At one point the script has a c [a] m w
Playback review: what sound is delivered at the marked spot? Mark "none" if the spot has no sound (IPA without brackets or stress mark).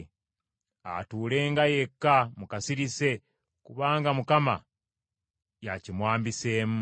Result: i